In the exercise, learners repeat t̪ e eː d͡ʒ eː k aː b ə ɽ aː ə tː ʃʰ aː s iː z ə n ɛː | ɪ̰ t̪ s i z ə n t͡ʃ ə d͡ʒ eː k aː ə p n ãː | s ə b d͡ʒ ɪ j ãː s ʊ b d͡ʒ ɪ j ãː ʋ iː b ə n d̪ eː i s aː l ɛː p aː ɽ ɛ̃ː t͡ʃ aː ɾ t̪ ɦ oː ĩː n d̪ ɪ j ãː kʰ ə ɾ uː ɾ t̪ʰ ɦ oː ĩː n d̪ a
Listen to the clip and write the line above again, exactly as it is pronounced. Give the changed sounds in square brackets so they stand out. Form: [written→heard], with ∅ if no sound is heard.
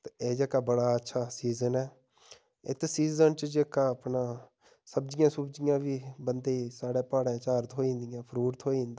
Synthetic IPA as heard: t̪ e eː d͡ʒ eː k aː b ə ɽ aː ə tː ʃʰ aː s iː z ə n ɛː | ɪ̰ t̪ s [i→iː] z ə n t͡ʃ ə d͡ʒ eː k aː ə p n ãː | s ə b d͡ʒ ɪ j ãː s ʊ b d͡ʒ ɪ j ãː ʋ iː b ə n d̪ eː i s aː [l→ɽ] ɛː p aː ɽ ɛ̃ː t͡ʃ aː ɾ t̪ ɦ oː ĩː n d̪ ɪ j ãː [kʰ→pʰ] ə ɾ uː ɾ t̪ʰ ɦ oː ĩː n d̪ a